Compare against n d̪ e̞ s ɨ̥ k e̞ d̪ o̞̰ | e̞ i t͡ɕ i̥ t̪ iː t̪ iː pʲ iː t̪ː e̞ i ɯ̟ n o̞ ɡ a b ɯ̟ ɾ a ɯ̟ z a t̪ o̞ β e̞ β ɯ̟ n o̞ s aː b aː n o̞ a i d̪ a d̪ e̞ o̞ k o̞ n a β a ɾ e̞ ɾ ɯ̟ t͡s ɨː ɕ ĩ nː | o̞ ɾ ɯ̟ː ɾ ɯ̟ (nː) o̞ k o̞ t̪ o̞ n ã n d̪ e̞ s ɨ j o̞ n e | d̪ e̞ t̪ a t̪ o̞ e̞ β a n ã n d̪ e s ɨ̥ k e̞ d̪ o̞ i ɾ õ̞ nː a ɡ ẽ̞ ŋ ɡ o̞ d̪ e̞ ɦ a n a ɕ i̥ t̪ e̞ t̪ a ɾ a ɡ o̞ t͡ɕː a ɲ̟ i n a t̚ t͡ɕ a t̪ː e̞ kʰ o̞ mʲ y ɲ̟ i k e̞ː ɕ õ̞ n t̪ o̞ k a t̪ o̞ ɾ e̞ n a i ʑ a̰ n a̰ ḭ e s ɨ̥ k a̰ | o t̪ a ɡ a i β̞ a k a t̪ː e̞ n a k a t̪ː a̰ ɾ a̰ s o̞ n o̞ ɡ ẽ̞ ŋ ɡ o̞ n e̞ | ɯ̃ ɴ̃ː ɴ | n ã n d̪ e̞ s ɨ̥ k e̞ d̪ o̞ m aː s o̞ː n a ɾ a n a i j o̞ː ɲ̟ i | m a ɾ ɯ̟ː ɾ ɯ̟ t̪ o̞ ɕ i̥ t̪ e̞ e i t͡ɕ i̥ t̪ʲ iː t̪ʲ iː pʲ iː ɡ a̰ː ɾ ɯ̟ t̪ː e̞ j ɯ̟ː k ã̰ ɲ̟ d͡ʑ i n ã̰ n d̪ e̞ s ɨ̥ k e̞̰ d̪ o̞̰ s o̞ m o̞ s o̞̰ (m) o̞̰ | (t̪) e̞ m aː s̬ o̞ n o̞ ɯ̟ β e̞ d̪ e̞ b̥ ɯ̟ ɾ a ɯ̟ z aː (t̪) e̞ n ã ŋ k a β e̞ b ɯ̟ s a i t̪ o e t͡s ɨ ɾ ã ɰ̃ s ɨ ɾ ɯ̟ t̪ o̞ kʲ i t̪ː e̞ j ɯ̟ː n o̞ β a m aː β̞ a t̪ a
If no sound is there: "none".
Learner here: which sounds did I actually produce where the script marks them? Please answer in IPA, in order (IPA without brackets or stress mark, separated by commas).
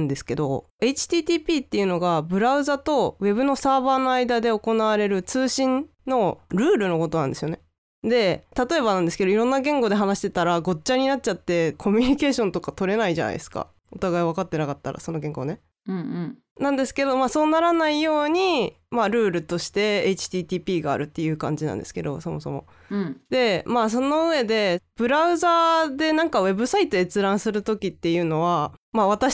n, m, d̪, d̪